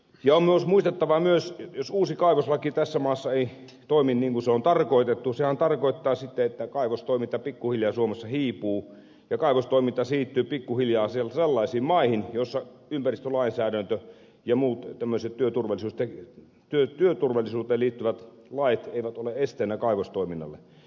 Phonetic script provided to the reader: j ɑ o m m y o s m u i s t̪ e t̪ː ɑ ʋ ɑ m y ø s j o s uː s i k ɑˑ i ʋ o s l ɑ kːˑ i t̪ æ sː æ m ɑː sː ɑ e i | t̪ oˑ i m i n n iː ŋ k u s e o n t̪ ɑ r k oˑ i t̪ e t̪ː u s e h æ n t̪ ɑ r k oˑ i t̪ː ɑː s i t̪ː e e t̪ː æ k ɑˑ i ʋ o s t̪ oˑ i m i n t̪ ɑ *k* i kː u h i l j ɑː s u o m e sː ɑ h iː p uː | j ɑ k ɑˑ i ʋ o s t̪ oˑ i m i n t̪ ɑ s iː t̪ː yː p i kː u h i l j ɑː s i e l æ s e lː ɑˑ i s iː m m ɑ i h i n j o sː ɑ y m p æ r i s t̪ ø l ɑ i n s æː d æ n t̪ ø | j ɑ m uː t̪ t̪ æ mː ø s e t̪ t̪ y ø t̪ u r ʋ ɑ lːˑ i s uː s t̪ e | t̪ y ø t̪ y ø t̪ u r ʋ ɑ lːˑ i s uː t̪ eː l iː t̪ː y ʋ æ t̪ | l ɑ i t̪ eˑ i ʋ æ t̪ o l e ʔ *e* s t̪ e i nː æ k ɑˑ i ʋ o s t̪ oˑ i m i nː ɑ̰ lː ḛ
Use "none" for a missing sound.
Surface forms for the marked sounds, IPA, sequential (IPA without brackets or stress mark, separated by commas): p, e